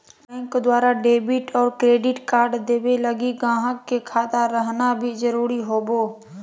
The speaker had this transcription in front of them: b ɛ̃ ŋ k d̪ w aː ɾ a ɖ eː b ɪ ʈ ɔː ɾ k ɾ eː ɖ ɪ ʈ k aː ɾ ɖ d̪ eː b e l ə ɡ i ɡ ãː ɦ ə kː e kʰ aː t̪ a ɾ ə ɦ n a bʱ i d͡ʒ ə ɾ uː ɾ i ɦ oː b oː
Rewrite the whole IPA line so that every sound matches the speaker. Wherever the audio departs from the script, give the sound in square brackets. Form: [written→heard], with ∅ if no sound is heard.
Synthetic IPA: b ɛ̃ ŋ k d̪ w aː ɾ a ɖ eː b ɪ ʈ ɔː ɾ k ɾ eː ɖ ɪ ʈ k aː ɾ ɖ d̪ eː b e l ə ɡ i ɡ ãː ɦ ə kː e kʰ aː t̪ a ɾ ə ɦ n a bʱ i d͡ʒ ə ɾ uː ɾ i ɦ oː b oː